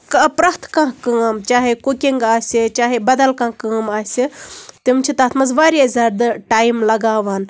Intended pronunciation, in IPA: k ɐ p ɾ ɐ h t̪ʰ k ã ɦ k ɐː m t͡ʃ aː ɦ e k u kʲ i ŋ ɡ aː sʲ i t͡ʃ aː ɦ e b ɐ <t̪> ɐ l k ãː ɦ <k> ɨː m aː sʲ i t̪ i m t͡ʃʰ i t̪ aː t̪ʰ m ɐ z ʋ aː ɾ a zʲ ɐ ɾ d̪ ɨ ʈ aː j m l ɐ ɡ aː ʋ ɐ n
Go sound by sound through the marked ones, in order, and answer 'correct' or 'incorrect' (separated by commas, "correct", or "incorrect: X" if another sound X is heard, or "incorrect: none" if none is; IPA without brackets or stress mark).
incorrect: d̪, correct